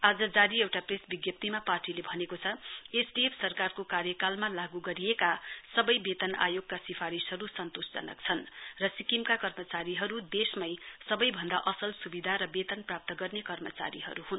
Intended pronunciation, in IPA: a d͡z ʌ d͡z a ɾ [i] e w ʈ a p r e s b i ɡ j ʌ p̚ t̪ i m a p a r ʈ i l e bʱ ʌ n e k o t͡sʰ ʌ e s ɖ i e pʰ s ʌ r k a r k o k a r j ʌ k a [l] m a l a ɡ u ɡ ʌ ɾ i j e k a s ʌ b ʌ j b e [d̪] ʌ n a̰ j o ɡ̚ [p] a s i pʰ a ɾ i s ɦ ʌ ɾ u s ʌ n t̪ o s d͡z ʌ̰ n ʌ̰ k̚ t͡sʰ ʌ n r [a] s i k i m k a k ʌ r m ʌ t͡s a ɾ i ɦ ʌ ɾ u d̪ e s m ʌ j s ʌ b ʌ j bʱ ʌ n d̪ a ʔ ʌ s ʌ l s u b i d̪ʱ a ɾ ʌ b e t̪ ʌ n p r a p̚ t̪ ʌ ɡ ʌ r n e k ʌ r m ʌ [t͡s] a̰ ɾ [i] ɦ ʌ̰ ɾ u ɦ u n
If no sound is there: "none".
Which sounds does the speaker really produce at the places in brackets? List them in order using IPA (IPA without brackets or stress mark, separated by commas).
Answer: i, l, t̪, k, ʌ, t͡s, i